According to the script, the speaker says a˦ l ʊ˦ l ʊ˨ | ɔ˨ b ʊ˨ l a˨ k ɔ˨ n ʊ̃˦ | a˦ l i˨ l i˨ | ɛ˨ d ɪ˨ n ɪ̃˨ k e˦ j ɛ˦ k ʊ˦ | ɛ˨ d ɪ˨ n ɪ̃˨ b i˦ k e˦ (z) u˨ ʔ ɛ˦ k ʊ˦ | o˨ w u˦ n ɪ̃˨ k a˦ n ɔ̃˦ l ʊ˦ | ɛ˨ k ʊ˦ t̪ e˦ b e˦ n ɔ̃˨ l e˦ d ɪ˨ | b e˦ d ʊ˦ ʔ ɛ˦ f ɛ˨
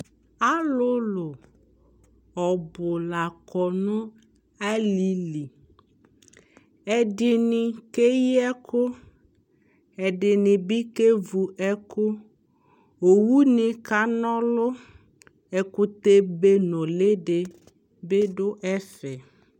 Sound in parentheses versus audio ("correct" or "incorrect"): incorrect